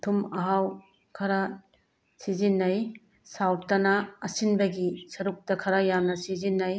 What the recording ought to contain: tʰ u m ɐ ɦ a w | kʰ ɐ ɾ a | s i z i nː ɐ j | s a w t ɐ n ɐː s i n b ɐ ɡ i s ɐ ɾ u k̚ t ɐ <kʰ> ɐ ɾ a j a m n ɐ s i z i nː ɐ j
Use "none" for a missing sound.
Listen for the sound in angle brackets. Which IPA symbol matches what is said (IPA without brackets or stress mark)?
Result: kʰ